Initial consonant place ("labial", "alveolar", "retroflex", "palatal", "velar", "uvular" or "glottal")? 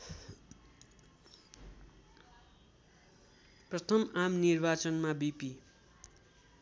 labial